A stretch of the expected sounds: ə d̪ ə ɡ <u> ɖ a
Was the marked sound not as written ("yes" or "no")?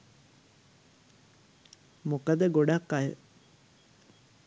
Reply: yes